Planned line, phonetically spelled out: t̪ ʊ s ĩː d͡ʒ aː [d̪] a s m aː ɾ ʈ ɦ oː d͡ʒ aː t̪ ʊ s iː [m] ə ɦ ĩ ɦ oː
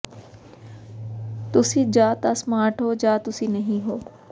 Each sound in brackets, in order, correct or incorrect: incorrect: t̪, incorrect: n

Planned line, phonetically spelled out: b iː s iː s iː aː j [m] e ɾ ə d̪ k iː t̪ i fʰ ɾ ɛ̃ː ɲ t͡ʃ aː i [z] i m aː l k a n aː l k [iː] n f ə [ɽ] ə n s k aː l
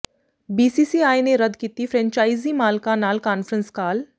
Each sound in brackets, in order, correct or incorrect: incorrect: n, correct, incorrect: aː, incorrect: ɾ

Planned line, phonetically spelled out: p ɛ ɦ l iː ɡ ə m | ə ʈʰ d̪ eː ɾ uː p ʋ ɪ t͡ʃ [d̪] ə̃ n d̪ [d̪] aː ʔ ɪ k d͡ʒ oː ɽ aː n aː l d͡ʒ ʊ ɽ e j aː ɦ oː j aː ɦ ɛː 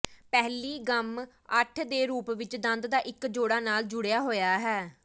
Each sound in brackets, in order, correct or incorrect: correct, correct

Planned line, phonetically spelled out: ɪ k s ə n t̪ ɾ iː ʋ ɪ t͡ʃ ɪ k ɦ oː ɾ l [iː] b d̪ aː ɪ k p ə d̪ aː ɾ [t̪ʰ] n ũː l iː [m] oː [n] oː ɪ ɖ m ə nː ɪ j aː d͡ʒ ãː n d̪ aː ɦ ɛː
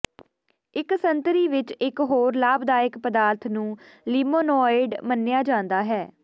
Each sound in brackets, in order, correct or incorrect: incorrect: aː, correct, correct, correct

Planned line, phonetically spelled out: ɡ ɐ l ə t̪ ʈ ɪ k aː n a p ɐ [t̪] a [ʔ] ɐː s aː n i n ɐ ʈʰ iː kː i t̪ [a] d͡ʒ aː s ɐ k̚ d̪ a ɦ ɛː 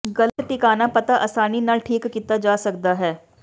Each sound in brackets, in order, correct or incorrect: correct, correct, correct

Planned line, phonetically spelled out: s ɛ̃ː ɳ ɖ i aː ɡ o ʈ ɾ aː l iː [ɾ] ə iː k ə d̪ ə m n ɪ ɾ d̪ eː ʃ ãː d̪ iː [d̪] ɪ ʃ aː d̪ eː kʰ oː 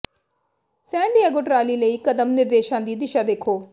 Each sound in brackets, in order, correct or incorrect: incorrect: l, correct

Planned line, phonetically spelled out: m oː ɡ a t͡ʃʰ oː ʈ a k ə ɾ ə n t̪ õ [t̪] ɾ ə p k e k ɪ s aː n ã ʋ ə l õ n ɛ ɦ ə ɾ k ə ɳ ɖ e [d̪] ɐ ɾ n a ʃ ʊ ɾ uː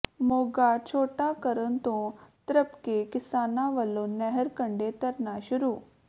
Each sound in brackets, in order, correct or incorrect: correct, incorrect: t̪

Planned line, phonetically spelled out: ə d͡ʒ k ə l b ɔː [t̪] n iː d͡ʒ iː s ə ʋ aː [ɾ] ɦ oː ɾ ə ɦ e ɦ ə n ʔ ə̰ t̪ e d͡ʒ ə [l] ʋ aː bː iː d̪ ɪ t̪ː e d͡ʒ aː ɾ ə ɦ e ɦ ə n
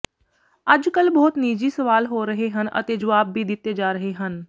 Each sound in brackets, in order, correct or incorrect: correct, incorrect: l, incorrect: none

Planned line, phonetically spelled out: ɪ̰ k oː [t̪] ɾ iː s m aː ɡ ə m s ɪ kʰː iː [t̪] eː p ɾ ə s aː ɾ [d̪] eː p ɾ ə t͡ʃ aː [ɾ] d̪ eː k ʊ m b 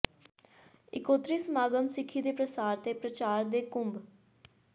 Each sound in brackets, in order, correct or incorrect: correct, incorrect: d̪, incorrect: t̪, correct

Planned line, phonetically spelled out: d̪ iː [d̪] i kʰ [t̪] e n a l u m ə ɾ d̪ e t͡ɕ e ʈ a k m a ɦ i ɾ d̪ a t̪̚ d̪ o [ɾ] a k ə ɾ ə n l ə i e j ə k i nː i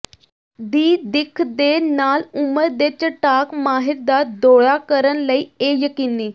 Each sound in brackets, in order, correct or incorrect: correct, incorrect: d̪, incorrect: ɭ

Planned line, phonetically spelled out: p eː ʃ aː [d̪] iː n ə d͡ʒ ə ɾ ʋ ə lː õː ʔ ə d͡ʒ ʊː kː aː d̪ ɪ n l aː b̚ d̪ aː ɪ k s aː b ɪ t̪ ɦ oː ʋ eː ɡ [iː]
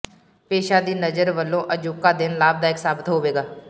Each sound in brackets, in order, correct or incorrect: correct, incorrect: aː

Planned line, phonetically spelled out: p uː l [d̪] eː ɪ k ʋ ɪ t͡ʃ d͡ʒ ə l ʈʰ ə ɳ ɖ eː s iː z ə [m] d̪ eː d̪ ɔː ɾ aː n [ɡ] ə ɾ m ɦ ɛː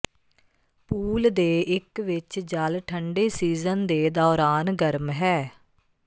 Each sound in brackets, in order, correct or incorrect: correct, incorrect: n, correct

